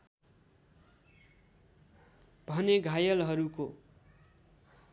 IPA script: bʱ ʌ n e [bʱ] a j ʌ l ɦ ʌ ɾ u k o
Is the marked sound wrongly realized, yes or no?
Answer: yes